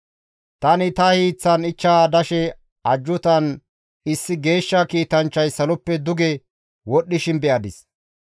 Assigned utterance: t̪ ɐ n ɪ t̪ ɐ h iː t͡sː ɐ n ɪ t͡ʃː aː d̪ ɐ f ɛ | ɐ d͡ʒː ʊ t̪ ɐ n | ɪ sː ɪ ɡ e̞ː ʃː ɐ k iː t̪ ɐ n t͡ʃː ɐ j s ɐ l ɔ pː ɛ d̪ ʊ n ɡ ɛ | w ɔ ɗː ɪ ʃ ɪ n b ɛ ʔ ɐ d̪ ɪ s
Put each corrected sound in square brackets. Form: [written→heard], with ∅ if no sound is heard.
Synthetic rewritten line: t̪ ɐ n ɪ t̪ ɐ h iː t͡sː ɐ n ɪ t͡ʃː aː d̪ ɐ [f→ʃ] ɛ | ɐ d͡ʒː ʊ t̪ ɐ n | ɪ sː ɪ ɡ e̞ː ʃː ɐ k iː t̪ ɐ n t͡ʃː ɐ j s ɐ l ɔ pː ɛ d̪ ʊ [n→∅] ɡ ɛ | w ɔ ɗː ɪ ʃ ɪ n b ɛ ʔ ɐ d̪ ɪ s